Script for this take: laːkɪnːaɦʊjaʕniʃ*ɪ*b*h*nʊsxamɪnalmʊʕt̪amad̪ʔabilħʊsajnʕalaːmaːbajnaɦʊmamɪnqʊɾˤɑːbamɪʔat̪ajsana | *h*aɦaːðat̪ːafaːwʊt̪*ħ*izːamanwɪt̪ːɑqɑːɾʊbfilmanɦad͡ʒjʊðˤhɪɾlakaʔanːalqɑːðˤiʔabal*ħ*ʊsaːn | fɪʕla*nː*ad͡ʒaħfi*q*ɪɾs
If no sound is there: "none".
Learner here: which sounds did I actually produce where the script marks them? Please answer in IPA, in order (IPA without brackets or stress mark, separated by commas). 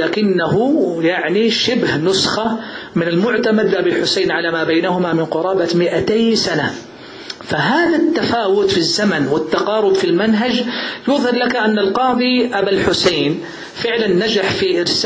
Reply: ɪ, h, f, f, ħ, nː, ʔ